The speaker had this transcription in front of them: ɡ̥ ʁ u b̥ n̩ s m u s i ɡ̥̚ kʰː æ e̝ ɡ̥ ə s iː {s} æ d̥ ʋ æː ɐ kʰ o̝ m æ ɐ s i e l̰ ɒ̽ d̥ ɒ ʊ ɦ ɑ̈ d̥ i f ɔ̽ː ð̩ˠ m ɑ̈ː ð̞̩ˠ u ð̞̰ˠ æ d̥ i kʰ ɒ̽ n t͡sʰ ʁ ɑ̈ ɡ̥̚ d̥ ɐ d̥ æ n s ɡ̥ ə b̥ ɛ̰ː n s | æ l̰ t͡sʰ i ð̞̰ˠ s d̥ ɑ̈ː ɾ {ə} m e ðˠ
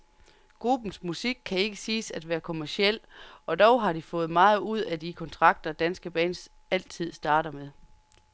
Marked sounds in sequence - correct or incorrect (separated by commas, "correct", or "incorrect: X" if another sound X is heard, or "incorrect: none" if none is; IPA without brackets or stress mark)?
correct, incorrect: ɐ